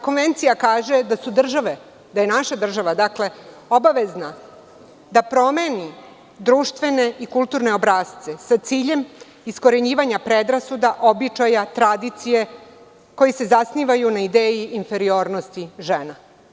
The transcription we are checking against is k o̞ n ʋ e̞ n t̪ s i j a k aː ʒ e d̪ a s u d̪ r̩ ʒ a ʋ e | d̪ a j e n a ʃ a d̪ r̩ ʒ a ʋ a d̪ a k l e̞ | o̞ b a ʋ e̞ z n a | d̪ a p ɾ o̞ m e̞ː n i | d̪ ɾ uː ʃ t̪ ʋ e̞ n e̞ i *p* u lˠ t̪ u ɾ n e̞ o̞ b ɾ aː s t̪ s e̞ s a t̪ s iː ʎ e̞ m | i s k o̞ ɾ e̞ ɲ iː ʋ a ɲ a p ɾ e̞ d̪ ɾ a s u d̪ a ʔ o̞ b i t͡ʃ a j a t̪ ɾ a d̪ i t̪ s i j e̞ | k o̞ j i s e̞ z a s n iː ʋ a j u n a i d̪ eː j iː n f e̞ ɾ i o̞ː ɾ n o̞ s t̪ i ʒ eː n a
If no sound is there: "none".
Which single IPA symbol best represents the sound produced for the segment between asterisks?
k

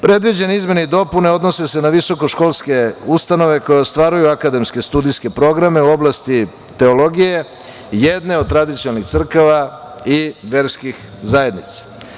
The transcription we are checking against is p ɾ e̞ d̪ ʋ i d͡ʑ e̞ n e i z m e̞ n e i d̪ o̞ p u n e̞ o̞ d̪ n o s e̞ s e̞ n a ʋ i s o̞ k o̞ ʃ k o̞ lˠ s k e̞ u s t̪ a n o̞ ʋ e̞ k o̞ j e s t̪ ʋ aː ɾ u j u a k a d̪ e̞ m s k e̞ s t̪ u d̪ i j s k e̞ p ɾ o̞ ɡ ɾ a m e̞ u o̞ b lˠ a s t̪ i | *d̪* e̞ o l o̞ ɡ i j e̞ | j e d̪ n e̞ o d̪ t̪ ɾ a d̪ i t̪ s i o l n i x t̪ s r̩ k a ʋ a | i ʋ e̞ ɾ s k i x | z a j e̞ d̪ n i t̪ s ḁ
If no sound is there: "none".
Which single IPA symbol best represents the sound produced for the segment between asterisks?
t̪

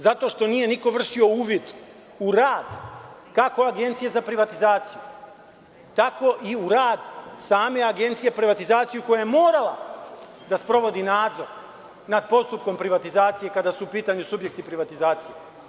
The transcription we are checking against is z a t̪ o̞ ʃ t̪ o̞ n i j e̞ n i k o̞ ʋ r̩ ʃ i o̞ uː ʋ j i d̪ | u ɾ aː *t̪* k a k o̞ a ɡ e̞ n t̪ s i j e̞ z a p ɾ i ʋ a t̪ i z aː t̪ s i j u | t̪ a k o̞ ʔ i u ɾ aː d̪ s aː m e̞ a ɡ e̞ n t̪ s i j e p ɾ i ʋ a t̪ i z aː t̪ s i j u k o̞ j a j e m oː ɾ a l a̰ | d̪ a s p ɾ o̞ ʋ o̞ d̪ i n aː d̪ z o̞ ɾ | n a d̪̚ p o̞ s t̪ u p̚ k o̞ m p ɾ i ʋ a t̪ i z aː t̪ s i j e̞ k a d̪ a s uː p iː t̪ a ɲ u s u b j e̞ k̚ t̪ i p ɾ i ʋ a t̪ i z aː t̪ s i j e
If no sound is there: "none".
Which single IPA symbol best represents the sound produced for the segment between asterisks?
d̪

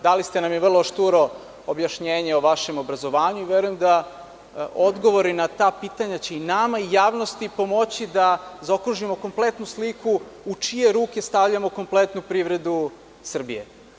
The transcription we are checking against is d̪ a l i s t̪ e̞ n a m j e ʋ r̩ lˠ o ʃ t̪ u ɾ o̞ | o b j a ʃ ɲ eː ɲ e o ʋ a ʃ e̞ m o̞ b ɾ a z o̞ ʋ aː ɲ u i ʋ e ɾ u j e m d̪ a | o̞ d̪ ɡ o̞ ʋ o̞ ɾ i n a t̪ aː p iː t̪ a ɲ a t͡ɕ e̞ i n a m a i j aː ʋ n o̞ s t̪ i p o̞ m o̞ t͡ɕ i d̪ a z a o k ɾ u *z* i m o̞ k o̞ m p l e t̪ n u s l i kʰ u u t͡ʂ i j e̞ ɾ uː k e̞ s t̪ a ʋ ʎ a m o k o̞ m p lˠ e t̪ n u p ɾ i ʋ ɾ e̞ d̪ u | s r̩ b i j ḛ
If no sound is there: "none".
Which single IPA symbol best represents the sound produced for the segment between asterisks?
ʒ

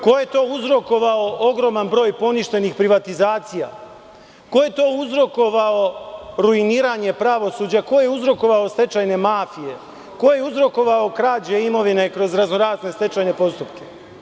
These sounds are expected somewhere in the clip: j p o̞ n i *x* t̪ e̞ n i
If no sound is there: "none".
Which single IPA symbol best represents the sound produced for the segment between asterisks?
ʃ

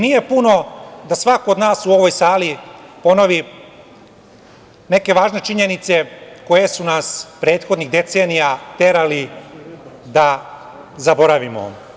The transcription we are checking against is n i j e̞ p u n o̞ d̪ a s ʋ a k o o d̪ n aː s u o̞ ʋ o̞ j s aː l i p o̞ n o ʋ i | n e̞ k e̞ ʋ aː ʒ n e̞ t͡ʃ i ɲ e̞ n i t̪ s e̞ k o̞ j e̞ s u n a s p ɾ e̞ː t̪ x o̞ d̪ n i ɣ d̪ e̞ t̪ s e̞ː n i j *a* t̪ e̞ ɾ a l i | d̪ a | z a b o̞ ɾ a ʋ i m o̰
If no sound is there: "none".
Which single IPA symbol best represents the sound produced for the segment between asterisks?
a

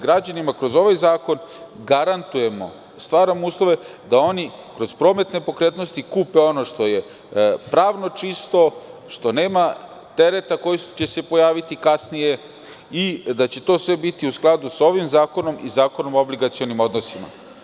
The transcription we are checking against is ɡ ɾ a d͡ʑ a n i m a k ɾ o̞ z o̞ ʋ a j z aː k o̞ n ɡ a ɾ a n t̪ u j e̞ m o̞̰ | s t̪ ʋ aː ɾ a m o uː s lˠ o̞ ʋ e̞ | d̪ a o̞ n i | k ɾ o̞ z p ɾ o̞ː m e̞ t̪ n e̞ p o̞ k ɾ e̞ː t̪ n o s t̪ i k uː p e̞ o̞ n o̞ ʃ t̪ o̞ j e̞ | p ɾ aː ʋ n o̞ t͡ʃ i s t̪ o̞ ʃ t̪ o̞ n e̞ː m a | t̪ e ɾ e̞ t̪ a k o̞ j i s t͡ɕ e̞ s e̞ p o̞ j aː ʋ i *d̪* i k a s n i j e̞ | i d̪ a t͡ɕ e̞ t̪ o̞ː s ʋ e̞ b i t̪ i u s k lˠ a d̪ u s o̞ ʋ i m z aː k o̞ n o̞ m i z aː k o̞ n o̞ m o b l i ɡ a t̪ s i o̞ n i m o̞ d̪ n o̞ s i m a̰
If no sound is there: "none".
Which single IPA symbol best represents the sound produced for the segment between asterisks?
t̪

